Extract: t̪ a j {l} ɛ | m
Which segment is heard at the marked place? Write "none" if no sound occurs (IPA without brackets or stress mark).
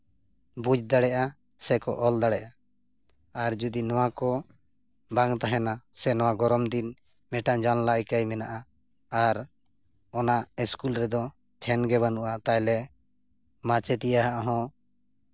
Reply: l